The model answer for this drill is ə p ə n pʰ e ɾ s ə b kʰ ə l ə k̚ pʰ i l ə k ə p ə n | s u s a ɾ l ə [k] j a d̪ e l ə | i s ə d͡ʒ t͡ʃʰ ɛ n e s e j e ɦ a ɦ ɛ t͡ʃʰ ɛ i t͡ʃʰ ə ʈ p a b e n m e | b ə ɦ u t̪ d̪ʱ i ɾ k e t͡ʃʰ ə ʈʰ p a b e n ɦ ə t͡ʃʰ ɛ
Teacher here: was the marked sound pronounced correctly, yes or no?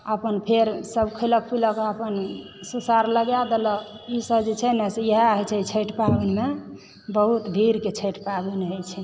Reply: no